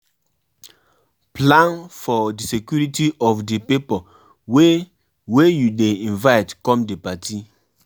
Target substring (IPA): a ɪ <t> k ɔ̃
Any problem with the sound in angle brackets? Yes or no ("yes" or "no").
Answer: no